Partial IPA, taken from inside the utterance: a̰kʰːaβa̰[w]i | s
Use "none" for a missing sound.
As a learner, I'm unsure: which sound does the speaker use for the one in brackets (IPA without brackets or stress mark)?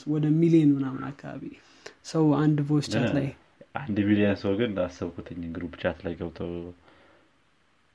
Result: β